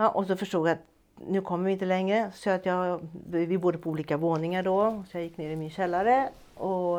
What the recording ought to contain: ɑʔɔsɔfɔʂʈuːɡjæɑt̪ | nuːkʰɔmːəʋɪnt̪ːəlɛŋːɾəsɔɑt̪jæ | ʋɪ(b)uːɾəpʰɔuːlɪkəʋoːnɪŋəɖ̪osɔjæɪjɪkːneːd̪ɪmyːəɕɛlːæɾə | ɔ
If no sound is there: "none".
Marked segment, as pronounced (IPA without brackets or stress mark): b